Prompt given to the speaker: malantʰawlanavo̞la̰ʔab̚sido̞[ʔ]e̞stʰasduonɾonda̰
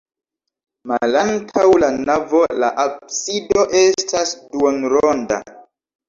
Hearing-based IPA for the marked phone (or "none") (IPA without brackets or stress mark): ʔ